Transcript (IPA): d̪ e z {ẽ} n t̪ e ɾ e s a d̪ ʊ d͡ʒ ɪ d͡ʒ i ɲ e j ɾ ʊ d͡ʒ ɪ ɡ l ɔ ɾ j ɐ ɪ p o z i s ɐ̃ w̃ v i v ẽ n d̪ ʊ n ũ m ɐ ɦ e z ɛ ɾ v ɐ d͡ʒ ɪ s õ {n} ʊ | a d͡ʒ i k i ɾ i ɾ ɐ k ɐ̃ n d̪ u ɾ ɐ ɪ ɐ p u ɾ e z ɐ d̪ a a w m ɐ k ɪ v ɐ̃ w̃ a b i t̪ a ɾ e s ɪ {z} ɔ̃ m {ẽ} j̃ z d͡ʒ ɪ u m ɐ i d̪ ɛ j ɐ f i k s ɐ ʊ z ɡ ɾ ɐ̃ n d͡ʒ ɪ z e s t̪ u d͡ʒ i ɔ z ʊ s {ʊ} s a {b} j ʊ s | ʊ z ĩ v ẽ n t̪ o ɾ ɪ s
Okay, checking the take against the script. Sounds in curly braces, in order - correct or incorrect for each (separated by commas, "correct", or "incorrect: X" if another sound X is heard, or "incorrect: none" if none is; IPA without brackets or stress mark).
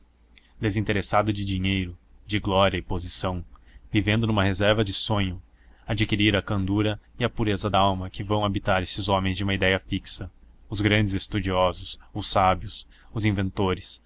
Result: incorrect: ĩ, incorrect: ɲ, correct, correct, correct, correct